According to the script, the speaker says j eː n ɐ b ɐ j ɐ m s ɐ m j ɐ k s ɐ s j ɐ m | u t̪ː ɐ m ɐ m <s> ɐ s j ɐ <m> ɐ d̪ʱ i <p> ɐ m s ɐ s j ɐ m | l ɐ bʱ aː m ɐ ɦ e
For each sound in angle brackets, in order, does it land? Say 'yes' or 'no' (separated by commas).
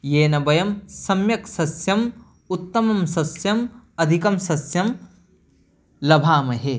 yes, yes, no